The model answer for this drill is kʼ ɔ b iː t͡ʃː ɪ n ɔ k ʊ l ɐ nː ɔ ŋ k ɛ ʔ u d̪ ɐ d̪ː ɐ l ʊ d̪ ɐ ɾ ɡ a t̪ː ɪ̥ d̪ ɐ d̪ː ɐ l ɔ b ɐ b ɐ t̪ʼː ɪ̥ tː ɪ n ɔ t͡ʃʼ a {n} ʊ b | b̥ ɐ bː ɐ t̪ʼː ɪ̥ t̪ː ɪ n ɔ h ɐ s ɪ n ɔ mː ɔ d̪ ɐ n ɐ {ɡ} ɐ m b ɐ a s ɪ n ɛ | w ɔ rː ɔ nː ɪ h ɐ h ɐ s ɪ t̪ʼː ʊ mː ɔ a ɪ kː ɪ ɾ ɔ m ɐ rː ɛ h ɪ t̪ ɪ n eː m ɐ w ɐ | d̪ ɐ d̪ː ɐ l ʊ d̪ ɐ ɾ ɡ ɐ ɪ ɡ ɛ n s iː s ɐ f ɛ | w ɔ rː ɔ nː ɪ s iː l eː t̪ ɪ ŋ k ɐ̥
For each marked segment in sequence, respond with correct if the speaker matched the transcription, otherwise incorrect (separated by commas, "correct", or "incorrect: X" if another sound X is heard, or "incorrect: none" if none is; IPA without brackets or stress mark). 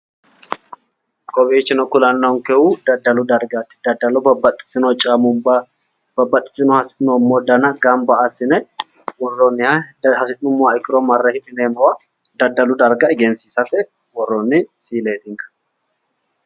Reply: incorrect: m, correct